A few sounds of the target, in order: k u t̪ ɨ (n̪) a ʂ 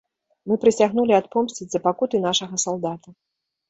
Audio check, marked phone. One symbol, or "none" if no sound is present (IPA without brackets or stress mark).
n̪